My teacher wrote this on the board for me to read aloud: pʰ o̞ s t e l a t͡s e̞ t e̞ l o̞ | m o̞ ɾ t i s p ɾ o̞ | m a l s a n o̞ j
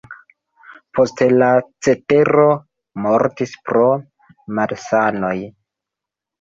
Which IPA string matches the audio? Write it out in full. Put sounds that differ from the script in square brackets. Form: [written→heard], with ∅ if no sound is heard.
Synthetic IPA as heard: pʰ o̞ s t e l a t͡s e̞ t e̞ [l→ɾ] o̞ | m o̞ ɾ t i s p ɾ o̞ | m a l s a n o̞ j